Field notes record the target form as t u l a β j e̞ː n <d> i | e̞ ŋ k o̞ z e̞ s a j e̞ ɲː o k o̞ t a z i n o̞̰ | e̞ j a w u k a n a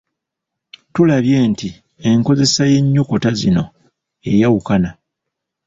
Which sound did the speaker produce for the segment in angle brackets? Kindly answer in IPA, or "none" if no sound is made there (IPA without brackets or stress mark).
t